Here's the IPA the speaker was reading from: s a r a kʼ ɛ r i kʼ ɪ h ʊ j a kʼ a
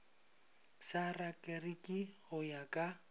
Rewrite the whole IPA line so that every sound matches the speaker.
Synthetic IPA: s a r a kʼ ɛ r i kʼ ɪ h ʊ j a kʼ a